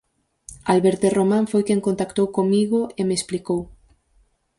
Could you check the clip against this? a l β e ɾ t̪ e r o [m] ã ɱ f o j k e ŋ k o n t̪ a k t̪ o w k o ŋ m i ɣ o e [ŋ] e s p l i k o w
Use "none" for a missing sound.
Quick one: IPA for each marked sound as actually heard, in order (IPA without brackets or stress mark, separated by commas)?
m, m